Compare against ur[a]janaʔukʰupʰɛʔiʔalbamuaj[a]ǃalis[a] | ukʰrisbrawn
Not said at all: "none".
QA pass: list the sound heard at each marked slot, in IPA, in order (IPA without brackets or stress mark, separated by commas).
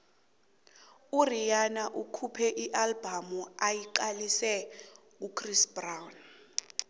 i, i, ɛ